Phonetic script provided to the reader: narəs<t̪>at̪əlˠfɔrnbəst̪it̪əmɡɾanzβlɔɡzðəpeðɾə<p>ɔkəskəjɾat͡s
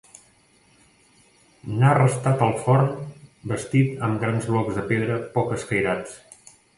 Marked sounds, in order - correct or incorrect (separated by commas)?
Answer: correct, correct